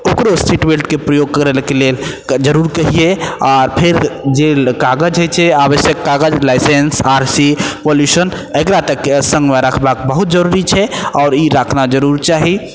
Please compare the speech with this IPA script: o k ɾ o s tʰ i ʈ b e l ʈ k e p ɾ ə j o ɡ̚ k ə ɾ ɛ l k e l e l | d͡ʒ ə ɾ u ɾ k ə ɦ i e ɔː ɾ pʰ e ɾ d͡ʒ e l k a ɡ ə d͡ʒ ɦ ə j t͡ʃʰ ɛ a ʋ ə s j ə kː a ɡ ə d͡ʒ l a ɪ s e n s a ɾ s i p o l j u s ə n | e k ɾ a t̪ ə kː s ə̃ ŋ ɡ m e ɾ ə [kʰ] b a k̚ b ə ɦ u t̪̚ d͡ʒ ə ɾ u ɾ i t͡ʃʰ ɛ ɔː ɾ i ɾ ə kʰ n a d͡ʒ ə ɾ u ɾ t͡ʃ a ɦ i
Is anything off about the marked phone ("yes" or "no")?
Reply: no